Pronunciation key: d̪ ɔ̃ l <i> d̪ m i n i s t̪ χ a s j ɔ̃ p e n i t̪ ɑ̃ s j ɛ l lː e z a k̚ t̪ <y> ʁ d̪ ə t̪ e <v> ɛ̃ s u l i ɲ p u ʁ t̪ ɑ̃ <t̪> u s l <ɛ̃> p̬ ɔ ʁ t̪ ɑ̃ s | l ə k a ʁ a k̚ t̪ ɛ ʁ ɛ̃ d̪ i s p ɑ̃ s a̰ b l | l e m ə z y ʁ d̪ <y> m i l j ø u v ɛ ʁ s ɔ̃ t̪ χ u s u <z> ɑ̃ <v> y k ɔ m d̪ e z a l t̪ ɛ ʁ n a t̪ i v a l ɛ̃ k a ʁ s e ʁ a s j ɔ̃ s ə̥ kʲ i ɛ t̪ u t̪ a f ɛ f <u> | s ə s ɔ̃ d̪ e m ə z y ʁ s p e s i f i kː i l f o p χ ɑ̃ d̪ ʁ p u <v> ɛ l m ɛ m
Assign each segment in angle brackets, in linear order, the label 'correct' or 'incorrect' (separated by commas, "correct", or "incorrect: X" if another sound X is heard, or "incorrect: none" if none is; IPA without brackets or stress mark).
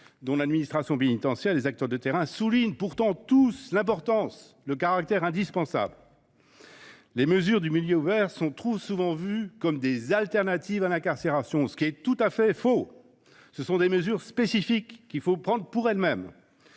incorrect: a, incorrect: œ, incorrect: ʁ, correct, correct, correct, incorrect: v, correct, incorrect: o, incorrect: ʁ